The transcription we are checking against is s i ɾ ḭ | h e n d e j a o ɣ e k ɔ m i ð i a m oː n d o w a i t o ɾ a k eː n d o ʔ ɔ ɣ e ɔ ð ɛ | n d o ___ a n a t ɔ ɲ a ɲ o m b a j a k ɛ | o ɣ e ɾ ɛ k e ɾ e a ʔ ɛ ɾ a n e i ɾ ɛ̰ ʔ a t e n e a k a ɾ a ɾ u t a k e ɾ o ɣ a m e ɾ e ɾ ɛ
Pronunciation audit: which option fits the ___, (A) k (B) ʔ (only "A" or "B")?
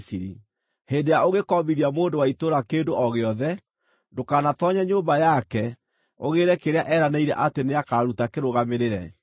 A